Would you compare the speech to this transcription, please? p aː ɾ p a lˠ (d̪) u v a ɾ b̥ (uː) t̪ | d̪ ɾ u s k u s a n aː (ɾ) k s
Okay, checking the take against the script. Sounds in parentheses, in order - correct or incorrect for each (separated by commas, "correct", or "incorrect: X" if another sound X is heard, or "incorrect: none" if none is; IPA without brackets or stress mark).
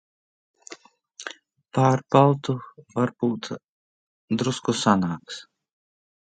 incorrect: t̪, correct, incorrect: none